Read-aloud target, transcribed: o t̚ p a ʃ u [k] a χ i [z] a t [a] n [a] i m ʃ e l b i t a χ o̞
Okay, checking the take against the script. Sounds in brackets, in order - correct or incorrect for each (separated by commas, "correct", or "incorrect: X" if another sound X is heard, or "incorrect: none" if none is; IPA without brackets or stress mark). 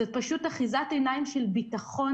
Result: incorrect: t, correct, incorrect: e, correct